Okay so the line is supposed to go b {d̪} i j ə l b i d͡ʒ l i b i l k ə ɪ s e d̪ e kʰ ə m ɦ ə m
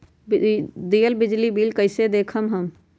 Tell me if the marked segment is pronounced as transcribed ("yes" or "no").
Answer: yes